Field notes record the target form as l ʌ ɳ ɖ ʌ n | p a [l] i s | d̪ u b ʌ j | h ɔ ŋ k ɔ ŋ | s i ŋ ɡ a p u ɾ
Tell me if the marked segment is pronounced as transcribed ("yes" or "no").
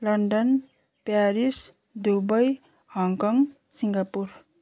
no